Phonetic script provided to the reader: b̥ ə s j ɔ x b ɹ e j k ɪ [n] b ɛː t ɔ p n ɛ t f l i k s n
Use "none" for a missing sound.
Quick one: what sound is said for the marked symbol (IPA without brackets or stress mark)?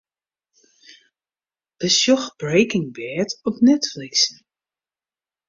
ŋ